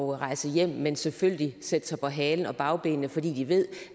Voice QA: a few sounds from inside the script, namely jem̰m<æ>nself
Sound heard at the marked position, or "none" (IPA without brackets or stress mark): e